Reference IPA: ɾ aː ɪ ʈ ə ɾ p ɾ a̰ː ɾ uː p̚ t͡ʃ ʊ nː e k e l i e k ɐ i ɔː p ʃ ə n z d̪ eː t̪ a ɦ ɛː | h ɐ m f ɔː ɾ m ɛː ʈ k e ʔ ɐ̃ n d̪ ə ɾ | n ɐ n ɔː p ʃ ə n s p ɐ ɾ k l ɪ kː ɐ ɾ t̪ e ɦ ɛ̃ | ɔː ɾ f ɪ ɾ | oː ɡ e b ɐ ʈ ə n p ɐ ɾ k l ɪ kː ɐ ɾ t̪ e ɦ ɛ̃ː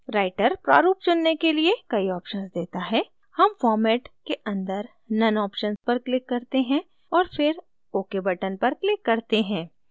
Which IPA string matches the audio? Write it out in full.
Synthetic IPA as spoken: ɾ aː ɪ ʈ ə ɾ p ɾ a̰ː ɾ uː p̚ t͡ʃ ʊ nː e k e l i e k ɐ i ɔː p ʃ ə n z d̪ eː t̪ a ɦ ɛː | h ɐ m f ɔː ɾ m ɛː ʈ k e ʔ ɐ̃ n d̪ ə ɾ | n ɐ n ɔː p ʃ ə n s p ɐ ɾ k l ɪ kː ɐ ɾ t̪ e ɦ ɛ̃ | ɔː ɾ f ɪ ɾ | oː k e b ɐ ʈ ə n p ɐ ɾ k l ɪ kː ɐ ɾ t̪ e ɦ ɛ̃ː